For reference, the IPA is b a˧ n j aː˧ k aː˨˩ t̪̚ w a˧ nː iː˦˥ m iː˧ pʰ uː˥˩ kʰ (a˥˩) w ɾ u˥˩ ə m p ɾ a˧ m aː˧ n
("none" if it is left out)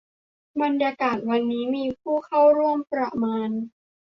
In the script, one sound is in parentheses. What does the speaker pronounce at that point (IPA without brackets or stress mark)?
a˥˩